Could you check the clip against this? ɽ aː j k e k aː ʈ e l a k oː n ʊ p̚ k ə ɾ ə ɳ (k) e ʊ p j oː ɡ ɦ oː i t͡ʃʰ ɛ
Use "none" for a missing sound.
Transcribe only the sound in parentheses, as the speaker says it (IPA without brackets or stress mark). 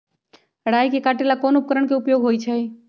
k